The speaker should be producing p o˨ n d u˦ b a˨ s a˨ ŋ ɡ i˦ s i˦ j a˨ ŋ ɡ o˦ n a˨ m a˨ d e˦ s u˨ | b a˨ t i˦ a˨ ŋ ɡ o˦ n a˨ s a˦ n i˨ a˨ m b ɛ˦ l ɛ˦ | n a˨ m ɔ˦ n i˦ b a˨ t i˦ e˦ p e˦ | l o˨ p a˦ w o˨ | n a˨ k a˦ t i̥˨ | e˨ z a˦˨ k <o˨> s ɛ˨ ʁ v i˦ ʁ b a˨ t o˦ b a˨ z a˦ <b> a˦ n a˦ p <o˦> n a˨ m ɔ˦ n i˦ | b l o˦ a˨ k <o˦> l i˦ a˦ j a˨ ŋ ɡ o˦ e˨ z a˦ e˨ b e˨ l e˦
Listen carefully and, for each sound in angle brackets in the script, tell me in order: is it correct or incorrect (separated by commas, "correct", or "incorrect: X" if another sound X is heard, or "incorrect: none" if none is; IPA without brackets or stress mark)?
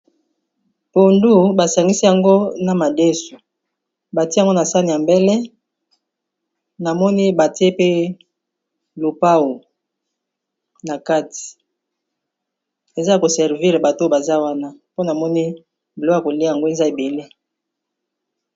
correct, incorrect: w, correct, incorrect: o˨